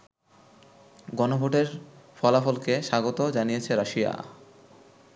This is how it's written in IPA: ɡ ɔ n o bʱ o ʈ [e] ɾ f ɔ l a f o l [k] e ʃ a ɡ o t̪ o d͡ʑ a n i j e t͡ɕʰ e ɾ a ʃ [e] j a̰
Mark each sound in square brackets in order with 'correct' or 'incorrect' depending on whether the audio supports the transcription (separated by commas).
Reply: correct, correct, incorrect